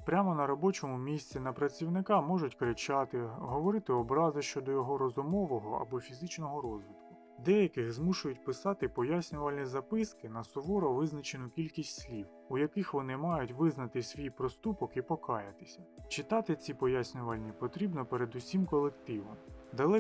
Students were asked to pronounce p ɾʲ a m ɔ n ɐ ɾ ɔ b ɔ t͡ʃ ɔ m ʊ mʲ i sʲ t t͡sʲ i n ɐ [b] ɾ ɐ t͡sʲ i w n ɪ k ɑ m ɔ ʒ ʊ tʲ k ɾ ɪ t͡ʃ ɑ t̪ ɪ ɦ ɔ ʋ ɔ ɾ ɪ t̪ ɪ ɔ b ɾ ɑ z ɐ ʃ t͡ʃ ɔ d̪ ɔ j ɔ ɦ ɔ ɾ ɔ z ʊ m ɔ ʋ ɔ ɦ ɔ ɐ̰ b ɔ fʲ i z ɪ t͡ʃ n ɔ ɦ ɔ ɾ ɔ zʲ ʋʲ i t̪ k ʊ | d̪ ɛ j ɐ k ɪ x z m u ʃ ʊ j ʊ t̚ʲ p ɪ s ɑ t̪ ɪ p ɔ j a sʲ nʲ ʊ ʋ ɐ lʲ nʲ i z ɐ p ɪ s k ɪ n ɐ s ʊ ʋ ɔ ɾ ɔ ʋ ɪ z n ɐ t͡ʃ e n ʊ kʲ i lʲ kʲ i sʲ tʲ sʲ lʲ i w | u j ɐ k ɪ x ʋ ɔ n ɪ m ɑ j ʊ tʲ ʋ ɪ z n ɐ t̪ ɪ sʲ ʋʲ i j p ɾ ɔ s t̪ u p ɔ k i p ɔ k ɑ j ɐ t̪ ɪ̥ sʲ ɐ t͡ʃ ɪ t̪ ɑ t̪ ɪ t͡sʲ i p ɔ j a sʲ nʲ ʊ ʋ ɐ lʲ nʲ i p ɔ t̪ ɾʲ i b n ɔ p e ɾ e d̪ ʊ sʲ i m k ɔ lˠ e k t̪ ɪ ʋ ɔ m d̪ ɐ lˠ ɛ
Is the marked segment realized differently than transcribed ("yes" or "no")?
yes